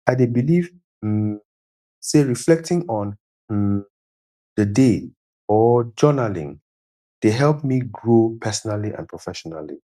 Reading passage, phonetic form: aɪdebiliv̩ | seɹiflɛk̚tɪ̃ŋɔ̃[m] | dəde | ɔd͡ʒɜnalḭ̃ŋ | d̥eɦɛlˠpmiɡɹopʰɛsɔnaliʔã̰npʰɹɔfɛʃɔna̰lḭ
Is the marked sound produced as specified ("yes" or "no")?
no